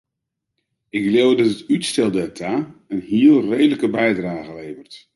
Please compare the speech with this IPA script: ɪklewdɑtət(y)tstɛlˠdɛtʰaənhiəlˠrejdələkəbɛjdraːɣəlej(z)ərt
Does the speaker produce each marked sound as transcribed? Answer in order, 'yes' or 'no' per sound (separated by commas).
yes, no